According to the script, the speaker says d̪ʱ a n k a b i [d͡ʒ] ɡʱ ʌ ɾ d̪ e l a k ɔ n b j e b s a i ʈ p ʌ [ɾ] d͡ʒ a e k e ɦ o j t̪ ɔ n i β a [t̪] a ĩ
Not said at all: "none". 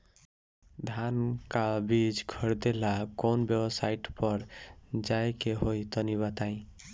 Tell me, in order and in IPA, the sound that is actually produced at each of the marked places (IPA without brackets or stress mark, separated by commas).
d͡ʒ, ɾ, t̪